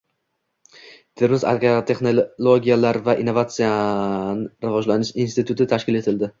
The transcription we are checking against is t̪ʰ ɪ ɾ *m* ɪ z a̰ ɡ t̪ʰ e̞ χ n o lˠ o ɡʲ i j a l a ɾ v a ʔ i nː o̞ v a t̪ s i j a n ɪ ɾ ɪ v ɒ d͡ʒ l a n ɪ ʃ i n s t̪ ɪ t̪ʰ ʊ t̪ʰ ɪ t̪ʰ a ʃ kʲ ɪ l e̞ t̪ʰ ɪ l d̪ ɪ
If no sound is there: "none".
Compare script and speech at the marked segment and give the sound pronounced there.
m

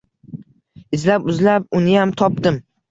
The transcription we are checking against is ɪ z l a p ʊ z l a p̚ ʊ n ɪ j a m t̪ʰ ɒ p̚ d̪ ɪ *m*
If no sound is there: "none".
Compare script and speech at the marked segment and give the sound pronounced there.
m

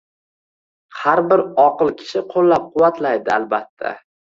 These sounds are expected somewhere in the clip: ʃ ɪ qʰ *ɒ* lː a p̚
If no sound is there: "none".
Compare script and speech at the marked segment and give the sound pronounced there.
o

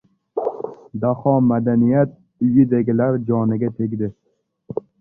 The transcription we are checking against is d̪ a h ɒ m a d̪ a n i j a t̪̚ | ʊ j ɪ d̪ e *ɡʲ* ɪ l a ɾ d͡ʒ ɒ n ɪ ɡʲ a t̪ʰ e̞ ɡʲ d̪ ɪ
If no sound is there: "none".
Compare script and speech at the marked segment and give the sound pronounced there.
ɡʲ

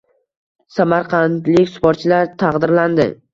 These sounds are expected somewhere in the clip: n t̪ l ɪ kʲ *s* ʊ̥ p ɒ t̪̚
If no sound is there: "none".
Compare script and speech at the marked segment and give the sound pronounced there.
s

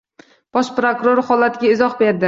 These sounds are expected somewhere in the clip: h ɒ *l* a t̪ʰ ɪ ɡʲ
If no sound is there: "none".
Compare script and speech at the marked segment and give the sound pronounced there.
l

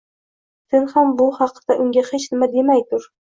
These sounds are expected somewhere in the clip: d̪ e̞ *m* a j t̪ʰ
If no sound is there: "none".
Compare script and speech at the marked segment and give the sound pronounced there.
m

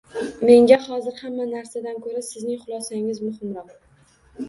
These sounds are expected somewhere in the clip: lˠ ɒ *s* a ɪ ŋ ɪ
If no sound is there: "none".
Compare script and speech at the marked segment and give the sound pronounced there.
s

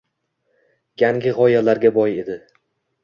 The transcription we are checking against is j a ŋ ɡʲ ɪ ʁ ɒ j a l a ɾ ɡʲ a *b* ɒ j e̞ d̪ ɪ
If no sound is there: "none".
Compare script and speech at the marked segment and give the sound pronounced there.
b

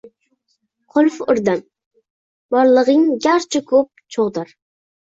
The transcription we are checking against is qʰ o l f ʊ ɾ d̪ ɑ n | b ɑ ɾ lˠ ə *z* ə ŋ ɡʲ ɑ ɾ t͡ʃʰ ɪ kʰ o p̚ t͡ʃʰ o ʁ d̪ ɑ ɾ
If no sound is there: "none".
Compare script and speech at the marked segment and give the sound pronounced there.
ʁ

